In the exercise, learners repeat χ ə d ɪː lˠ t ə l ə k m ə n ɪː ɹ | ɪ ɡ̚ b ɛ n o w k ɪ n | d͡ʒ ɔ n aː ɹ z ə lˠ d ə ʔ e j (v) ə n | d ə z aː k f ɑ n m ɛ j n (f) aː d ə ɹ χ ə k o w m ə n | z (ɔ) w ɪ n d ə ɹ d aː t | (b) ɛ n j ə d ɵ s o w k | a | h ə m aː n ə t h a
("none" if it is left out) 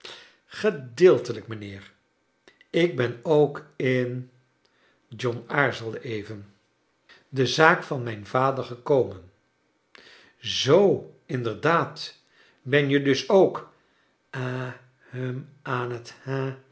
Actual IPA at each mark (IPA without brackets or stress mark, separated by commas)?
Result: v, v, o, b